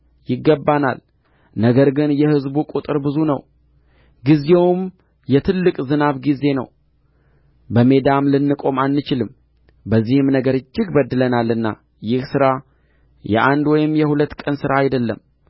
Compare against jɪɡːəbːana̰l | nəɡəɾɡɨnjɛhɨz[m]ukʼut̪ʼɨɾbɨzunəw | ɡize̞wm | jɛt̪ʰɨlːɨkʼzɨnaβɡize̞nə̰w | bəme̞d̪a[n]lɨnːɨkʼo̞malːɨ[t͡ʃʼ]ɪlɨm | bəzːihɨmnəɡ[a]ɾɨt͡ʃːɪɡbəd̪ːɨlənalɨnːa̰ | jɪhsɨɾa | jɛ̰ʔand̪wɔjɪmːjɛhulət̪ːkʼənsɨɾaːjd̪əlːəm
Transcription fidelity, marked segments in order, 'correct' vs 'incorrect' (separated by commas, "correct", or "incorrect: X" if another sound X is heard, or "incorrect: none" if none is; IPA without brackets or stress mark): incorrect: b, incorrect: m, incorrect: t͡ʃ, incorrect: ə